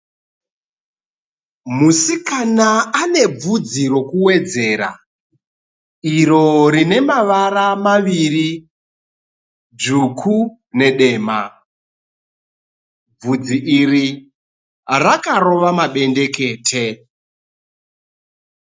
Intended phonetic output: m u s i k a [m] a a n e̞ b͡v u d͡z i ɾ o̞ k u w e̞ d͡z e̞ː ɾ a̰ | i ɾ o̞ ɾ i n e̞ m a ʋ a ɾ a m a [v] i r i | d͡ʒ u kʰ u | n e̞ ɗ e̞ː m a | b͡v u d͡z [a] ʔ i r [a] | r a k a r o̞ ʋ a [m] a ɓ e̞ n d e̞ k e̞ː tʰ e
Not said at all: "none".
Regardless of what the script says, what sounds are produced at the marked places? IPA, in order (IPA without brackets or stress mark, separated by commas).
n, ʋ, i, i, m